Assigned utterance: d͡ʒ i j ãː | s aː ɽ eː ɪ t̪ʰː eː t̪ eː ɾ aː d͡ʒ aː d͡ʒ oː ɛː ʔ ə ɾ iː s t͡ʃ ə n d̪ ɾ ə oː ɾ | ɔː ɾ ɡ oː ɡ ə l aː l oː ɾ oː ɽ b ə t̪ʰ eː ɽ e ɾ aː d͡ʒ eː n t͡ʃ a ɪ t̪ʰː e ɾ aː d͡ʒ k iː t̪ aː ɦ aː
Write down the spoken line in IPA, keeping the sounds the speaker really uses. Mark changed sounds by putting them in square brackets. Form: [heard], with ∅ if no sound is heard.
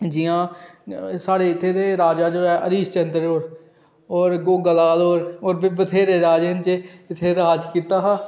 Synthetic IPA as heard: d͡ʒ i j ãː | s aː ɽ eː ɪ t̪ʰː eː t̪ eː ɾ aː d͡ʒ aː d͡ʒ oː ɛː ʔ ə ɾ iː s t͡ʃ ə n d̪ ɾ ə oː ɾ | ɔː ɾ ɡ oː ɡ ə l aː l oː ɾ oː [ɾ] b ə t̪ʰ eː [ɾ] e ɾ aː d͡ʒ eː n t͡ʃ [e] ɪ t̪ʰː e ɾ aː d͡ʒ k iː t̪ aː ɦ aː

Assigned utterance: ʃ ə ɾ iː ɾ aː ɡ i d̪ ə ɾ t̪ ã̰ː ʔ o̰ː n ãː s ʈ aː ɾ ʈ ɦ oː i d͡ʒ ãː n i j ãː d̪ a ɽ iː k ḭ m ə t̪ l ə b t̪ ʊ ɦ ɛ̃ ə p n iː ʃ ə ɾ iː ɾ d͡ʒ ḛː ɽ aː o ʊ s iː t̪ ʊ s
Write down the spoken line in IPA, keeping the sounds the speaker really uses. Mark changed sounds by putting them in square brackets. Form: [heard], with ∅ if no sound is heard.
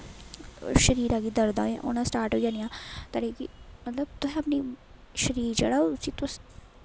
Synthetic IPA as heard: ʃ ə ɾ iː ɾ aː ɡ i d̪ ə ɾ [d̪] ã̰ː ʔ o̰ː n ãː s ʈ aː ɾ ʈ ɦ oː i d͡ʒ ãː n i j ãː [t̪] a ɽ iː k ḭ m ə t̪ l ə b t̪ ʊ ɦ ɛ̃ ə p n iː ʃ ə ɾ iː ɾ d͡ʒ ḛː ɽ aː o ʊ s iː t̪ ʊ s

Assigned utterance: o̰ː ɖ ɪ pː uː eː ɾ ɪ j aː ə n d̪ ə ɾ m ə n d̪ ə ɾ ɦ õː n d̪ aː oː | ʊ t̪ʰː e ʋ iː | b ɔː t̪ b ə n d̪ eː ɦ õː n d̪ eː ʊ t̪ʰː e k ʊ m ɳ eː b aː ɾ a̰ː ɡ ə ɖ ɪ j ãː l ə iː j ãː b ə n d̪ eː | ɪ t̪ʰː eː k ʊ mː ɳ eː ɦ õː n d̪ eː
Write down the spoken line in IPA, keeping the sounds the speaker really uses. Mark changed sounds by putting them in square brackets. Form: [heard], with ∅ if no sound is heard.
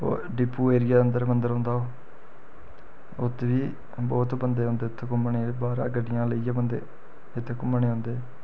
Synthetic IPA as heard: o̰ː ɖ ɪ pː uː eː ɾ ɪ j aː ə n d̪ ə ɾ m ə n d̪ ə ɾ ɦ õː n d̪ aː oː | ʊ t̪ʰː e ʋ iː | b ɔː t̪ b ə n d̪ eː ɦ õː n d̪ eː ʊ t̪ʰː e k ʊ m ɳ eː b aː ɾ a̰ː ɡ ə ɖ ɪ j ãː l ə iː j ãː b ə n d̪ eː | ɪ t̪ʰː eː k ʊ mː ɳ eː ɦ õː n d̪ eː

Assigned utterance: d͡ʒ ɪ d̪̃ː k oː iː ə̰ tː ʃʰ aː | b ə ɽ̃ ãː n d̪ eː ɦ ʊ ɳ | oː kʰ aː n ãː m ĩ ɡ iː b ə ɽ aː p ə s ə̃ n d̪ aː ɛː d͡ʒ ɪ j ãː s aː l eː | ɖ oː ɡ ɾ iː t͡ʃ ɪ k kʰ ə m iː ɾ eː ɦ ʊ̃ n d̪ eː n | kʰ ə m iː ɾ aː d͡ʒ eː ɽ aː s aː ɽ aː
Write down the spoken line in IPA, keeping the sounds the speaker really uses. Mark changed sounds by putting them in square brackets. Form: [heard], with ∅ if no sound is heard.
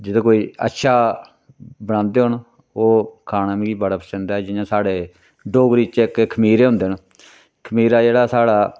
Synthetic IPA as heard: d͡ʒ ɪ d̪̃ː k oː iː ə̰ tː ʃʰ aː | b ə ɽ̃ ãː n d̪ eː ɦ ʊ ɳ | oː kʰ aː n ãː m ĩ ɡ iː b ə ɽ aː p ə s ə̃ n d̪ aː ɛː d͡ʒ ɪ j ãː s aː [ɽ] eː | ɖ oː ɡ ɾ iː t͡ʃ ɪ k kʰ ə m iː ɾ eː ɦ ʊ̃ n d̪ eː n | kʰ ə m iː ɾ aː d͡ʒ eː ɽ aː s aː ɽ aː

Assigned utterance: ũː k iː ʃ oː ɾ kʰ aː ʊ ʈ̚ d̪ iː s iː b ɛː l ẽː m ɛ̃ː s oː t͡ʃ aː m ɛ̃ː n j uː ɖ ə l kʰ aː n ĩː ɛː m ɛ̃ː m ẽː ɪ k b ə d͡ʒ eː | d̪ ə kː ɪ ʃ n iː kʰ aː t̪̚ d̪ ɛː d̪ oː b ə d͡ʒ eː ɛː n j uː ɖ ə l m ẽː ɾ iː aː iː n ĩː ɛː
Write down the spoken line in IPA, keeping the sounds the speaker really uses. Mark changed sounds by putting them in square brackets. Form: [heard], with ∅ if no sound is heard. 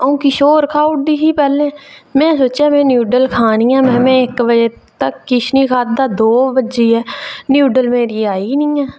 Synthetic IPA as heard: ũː k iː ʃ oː ɾ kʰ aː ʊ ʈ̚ d̪ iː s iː [p] ɛː l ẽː m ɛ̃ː s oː t͡ʃ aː m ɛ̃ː n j uː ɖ ə l kʰ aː n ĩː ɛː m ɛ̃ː m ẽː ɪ k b ə d͡ʒ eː | [t̪] ə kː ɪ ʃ n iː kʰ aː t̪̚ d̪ [aː] d̪ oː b ə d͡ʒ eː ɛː n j uː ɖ ə l m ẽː ɾ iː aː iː n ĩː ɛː

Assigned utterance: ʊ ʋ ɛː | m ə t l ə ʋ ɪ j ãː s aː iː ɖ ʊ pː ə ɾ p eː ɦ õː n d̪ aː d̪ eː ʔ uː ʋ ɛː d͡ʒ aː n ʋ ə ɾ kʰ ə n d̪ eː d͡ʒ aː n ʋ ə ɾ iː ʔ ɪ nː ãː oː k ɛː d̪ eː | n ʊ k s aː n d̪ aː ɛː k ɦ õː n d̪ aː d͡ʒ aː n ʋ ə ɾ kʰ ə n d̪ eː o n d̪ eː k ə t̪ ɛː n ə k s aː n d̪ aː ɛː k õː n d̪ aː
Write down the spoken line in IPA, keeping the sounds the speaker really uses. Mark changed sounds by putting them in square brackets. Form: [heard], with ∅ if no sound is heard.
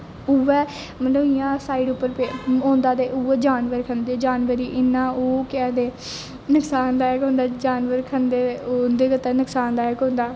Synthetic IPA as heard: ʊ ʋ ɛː | m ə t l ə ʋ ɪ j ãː s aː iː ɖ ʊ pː ə ɾ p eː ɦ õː n d̪ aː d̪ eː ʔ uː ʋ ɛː d͡ʒ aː n ʋ ə ɾ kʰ ə n d̪ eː d͡ʒ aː n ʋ ə ɾ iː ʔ ɪ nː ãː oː k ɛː d̪ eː | n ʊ k s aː n d̪ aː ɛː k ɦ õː n d̪ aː d͡ʒ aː n ʋ ə ɾ kʰ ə n d̪ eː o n d̪ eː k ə t̪ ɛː n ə k s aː n d̪ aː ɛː k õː n d̪ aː

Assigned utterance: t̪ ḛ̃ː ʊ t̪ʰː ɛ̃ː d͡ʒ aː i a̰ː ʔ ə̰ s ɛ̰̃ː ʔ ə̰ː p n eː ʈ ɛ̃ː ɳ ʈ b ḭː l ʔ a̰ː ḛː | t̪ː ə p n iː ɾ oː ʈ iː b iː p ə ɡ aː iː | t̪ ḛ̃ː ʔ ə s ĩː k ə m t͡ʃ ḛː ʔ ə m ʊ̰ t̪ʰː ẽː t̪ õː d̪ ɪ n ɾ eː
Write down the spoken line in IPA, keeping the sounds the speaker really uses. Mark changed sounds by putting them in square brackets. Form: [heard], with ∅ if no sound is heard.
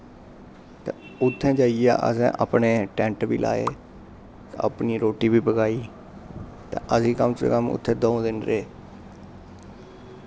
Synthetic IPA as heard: t̪ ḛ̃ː ʊ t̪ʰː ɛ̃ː d͡ʒ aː i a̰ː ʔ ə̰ s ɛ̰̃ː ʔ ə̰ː p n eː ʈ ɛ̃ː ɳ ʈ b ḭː l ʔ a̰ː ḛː | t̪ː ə p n iː ɾ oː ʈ iː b iː p ə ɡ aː iː | t̪ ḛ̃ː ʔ ə s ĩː k ə m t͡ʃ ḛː [k] ə m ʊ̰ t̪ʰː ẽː [d̪] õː d̪ ɪ n ɾ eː

